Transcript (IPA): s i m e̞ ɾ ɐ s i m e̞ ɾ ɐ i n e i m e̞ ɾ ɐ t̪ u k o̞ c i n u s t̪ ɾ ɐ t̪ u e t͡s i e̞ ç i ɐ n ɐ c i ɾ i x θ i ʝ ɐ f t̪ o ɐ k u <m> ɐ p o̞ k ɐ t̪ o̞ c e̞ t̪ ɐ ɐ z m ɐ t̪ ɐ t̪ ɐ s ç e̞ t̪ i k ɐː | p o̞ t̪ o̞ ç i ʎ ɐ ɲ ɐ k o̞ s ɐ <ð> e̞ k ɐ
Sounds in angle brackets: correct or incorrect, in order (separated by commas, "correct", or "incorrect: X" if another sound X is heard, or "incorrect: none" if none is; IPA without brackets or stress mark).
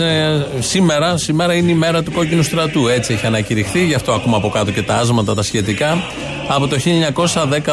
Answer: correct, correct